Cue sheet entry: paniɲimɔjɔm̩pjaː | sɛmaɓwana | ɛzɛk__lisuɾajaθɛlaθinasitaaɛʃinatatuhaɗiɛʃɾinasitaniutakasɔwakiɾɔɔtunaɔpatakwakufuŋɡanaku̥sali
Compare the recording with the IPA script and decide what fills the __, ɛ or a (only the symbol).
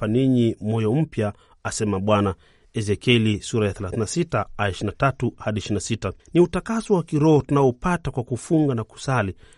ɛ